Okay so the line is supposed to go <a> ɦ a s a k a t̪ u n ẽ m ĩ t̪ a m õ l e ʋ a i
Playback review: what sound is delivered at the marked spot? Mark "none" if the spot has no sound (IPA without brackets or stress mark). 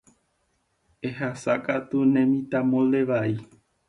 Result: e